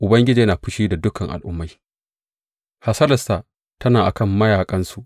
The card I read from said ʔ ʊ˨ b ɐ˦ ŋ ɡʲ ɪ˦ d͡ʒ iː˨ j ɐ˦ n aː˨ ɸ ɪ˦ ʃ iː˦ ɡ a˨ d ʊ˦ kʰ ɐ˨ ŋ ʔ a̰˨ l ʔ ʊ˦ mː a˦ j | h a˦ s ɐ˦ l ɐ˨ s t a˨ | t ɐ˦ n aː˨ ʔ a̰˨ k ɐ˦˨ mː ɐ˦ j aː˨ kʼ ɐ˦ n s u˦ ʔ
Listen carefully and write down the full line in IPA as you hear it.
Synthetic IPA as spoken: ʔ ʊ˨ b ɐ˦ ŋ ɡʲ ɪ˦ d͡ʒ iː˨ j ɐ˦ n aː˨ ɸ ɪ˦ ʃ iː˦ d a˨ d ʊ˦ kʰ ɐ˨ ŋ ʔ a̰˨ l ʔ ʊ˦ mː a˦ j | h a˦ s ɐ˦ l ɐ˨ s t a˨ | t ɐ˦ n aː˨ ʔ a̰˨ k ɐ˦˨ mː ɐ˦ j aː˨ kʼ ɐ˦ n s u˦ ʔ